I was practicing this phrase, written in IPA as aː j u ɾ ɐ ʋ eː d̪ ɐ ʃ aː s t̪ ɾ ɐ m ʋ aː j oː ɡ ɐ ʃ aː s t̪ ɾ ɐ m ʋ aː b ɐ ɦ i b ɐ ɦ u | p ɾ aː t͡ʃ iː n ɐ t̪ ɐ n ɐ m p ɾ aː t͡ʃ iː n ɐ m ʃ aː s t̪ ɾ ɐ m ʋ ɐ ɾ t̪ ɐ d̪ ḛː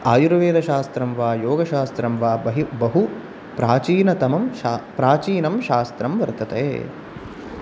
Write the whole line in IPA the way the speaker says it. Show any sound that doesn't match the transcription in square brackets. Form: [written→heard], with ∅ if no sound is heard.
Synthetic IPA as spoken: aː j u ɾ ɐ ʋ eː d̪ ɐ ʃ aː s t̪ ɾ ɐ m ʋ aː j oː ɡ ɐ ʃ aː s t̪ ɾ ɐ m ʋ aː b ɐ ɦ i b ɐ ɦ u | p ɾ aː t͡ʃ iː n ɐ t̪ ɐ [n→m] ɐ m p ɾ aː t͡ʃ iː n ɐ m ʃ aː s t̪ ɾ ɐ m ʋ ɐ ɾ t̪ ɐ [d̪→t̪] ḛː